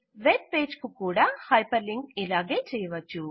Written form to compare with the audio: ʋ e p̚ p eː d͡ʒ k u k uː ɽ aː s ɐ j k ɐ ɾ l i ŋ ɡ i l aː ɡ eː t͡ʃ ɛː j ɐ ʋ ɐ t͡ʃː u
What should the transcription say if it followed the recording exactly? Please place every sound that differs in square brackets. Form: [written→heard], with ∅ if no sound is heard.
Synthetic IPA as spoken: ʋ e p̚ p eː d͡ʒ k u k uː ɽ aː [s→h] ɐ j [k→p] ɐ ɾ l i ŋ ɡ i l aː ɡ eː t͡ʃ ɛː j ɐ ʋ ɐ t͡ʃː u